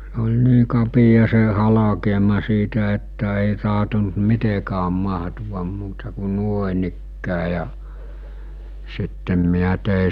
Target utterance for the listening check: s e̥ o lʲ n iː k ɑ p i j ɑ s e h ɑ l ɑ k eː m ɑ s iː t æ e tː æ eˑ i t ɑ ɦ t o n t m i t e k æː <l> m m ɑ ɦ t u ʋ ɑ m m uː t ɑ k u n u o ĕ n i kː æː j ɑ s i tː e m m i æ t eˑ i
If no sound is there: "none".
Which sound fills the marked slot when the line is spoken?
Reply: none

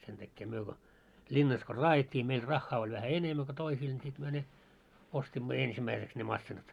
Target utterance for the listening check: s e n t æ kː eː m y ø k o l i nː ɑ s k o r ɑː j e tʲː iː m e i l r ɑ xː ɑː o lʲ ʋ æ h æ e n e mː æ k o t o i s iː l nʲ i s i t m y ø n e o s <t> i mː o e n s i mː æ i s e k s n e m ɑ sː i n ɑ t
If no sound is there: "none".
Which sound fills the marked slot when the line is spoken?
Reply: t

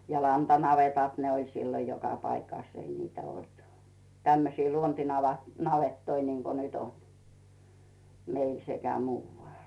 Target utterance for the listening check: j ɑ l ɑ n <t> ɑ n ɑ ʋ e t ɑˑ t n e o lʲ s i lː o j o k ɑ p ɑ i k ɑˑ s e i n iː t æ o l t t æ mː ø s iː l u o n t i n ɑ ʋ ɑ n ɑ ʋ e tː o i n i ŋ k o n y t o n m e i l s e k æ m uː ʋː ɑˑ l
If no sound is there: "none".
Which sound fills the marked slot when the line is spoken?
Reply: t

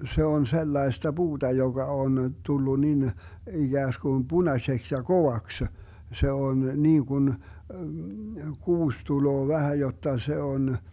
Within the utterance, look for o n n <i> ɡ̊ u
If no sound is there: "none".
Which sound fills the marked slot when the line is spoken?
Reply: iː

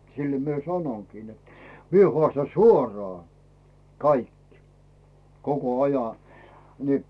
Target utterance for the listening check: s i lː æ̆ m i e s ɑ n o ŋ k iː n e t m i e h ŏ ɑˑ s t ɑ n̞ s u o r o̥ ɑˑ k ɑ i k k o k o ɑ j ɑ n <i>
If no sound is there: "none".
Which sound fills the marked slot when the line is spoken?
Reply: i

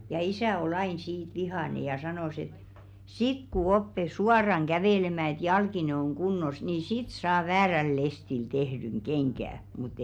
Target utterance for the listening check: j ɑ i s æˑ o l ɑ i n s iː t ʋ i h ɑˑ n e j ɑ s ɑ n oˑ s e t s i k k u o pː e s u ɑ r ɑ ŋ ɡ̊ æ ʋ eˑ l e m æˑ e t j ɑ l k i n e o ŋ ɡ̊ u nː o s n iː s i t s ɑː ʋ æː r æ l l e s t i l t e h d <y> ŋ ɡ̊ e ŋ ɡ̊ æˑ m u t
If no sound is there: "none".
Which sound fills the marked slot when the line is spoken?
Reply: y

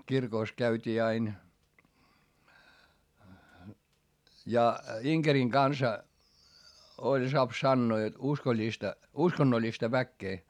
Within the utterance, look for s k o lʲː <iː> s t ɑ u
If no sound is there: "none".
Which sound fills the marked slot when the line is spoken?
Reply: i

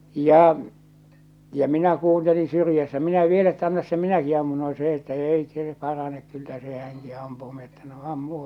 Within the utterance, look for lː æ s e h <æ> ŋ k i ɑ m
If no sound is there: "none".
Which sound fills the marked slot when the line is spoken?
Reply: æ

